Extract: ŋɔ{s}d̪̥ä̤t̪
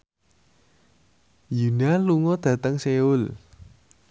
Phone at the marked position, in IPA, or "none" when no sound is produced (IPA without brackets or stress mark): none